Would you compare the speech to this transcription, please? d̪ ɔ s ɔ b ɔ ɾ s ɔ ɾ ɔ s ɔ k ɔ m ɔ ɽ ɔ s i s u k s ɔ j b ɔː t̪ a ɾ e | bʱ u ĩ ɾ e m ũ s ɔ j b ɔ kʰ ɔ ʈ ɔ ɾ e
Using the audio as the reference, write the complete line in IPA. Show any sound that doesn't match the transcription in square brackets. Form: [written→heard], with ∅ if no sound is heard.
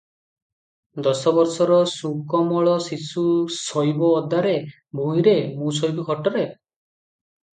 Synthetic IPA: d̪ ɔ s ɔ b ɔ ɾ s ɔ ɾ ɔ s [ɔ→u] k ɔ m ɔ [ɽ→ɭ] ɔ s i s u [k→∅] s ɔ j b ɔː [t̪→d̪] a ɾ e | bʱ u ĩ ɾ e m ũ s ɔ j b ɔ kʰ ɔ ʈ ɔ ɾ e